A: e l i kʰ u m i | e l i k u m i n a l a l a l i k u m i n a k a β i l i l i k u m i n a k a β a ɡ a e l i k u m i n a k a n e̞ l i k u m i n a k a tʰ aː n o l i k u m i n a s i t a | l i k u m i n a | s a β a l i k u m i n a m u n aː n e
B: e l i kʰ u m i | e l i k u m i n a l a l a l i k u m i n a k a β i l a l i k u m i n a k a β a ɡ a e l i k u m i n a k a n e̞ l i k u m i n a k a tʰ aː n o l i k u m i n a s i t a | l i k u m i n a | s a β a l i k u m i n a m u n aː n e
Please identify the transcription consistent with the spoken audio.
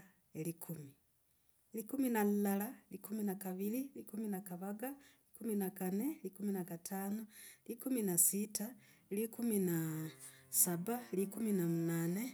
A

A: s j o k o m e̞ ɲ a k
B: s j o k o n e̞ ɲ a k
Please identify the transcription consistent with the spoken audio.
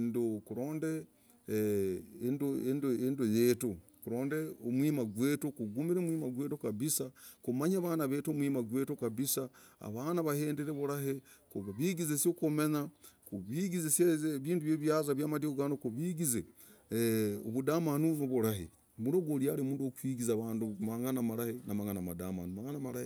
A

